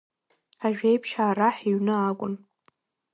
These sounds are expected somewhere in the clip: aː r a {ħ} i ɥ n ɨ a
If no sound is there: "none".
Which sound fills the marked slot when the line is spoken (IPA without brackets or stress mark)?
ħ